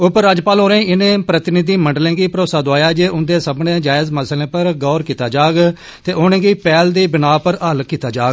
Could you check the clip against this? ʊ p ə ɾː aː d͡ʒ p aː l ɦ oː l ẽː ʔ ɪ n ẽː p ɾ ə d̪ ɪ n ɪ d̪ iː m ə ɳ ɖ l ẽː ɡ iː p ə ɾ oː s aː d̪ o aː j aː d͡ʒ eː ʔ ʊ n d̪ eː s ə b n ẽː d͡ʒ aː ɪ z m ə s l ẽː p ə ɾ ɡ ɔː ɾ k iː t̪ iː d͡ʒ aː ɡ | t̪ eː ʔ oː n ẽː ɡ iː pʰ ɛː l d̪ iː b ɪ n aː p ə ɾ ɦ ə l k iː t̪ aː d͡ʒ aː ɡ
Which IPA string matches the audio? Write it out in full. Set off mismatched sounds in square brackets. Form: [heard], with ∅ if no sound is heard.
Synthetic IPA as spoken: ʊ p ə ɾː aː d͡ʒ p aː l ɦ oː [ɾ] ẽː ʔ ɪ n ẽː p ɾ ə [t̪] ɪ n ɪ d̪ iː m ə ɳ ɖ l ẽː ɡ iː p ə ɾ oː s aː d̪ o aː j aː d͡ʒ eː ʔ ʊ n d̪ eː s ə b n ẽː d͡ʒ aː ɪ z m ə s l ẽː p ə ɾ ɡ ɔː ɾ k iː t̪ [aː] d͡ʒ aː ɡ | t̪ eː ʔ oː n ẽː ɡ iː [p] ɛː l d̪ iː b ɪ n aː p ə ɾ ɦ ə l k iː t̪ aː d͡ʒ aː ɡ